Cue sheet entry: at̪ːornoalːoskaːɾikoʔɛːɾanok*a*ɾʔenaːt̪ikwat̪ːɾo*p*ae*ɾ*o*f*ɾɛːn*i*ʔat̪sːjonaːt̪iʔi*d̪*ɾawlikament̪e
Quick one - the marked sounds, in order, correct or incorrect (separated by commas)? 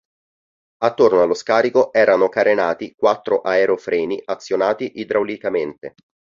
correct, incorrect, correct, correct, correct, correct